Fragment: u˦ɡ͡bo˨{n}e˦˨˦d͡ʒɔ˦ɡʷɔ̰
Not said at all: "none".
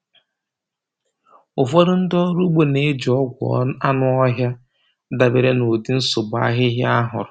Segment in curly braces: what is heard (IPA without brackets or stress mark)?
n